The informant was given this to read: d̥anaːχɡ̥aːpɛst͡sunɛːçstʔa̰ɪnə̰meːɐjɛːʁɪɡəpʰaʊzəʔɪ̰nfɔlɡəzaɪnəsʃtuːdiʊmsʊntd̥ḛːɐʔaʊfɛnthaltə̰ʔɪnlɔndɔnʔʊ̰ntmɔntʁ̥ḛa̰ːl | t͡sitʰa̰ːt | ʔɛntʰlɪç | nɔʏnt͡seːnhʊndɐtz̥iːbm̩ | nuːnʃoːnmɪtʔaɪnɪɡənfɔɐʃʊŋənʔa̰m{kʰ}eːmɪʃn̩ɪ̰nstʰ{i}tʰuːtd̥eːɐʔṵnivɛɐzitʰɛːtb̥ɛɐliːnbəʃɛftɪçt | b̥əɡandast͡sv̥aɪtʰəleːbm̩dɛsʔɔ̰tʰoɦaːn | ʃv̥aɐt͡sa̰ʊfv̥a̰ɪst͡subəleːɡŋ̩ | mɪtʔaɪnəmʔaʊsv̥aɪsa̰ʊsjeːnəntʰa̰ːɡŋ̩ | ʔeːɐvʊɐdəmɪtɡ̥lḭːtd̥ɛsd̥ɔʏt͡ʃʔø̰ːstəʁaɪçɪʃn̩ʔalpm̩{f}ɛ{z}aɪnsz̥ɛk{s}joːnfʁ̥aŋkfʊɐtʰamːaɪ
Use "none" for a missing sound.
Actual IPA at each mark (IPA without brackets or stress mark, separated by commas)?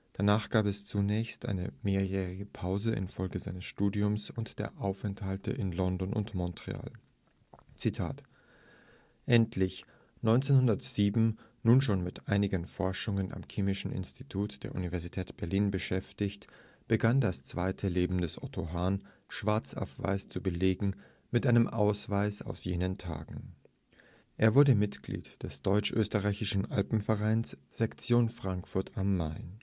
kʰ, i, f, ʁ, t͡s